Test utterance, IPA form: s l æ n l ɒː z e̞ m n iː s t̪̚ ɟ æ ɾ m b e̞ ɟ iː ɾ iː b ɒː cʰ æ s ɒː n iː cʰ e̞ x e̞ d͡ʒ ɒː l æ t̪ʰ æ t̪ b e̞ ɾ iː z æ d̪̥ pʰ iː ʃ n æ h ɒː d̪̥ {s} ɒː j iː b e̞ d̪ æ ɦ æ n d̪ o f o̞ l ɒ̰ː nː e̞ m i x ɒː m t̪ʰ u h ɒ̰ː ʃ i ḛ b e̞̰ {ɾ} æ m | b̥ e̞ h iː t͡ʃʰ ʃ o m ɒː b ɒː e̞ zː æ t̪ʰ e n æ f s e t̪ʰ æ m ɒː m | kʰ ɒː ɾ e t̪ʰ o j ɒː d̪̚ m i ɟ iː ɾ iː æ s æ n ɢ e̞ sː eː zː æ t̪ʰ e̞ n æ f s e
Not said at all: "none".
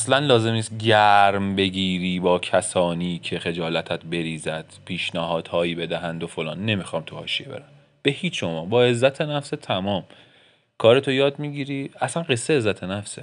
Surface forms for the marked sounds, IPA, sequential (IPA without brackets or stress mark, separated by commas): h, ɾ